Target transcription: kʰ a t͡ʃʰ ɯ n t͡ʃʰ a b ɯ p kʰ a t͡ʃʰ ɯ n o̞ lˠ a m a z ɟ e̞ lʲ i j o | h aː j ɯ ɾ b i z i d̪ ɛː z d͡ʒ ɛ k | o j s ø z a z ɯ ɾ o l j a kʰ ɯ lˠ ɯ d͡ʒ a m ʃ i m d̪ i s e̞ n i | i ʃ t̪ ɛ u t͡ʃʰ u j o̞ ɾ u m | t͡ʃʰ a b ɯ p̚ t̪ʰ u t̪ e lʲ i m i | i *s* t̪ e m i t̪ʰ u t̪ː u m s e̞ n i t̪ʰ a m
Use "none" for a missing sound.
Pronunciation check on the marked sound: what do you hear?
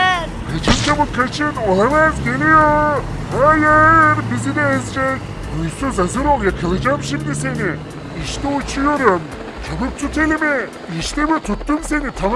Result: ʃ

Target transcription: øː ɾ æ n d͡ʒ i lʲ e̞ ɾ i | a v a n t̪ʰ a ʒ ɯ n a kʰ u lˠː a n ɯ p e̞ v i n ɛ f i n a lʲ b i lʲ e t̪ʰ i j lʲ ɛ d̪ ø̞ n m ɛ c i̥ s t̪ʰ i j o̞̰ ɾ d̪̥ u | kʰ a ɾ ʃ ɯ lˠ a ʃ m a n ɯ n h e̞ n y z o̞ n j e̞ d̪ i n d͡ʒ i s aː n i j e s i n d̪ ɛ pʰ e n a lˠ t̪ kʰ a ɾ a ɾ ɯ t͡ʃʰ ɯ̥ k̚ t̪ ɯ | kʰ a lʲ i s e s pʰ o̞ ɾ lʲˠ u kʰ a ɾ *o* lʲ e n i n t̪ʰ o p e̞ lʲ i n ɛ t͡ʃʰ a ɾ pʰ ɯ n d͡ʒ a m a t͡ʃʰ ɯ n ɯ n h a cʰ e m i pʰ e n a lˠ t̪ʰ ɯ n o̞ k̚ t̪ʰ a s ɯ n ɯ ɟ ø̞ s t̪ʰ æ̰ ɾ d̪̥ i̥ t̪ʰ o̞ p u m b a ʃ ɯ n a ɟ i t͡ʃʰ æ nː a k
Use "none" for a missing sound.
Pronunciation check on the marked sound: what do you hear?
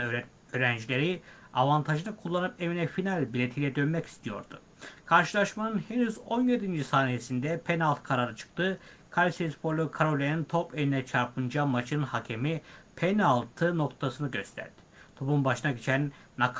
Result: o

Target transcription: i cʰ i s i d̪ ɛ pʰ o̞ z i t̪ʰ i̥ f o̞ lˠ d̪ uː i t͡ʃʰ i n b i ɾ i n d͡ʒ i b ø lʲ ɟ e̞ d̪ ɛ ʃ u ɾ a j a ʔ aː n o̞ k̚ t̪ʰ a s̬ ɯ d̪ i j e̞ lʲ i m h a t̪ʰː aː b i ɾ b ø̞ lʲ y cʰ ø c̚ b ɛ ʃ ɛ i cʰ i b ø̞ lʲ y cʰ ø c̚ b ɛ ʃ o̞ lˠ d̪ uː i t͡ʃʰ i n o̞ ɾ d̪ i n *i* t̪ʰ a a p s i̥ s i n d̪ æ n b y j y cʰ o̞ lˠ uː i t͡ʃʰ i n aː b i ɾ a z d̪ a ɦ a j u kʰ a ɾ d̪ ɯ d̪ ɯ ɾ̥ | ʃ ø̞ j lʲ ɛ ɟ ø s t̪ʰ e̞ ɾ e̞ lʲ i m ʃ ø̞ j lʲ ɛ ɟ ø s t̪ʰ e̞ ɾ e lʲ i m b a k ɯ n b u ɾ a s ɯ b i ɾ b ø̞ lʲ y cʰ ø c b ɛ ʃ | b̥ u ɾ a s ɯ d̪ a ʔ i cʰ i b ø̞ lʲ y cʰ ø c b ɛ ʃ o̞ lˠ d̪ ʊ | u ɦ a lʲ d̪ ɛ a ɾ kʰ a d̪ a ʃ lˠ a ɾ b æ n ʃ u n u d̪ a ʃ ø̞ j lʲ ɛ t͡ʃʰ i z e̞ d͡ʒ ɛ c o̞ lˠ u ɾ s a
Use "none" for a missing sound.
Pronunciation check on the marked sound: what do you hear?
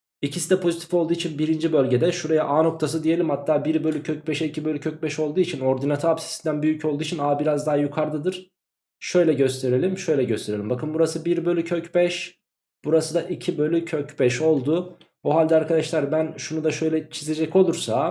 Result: a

